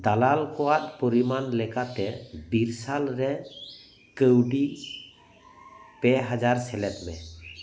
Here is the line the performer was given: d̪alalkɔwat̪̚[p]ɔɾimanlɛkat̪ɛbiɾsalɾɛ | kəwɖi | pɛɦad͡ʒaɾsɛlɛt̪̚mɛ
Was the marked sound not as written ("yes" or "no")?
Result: no